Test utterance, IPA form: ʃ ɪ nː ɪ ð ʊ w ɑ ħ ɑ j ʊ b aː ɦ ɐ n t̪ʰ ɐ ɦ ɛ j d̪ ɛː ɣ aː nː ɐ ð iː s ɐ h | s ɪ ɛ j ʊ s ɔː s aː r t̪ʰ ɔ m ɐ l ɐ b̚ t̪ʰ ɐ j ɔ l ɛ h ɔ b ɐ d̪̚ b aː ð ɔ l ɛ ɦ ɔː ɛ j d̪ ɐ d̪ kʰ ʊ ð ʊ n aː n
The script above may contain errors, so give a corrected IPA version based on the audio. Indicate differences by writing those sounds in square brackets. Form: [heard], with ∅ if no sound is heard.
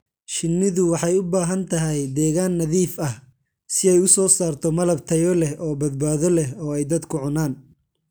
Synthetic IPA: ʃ ɪ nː ɪ ð ʊ w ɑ ħ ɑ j ʊ b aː ɦ ɐ n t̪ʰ ɐ ɦ ɛ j d̪ ɛː ɣ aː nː ɐ ð iː [f] ɐ h | s ɪ ɛ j ʊ s ɔː s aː r t̪ʰ ɔ m ɐ l ɐ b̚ t̪ʰ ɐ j ɔ l ɛ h [ɔː] b ɐ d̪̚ b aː ð ɔ l ɛ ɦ ɔː ɛ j d̪ ɐ d̪ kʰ ʊ [ʕ] ʊ n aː n